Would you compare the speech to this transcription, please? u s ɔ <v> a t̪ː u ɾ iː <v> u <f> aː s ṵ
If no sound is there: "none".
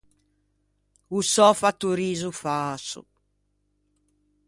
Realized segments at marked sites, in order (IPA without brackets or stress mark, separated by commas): f, z, f